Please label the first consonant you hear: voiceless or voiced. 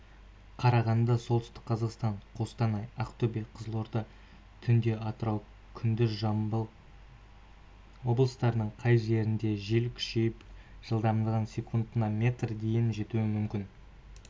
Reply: voiceless